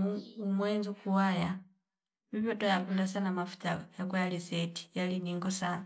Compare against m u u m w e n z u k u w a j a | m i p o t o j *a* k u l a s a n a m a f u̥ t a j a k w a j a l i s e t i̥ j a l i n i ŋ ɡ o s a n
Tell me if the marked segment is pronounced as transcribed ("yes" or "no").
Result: yes